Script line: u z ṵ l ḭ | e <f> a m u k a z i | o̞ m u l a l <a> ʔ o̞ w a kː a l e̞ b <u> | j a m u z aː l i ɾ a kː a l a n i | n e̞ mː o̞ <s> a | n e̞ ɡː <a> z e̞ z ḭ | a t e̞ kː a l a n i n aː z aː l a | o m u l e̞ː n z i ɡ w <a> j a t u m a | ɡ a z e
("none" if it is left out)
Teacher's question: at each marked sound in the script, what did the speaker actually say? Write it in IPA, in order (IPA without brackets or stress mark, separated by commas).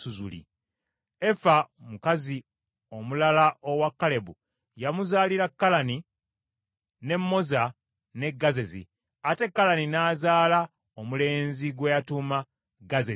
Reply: f, a, u, z, a, e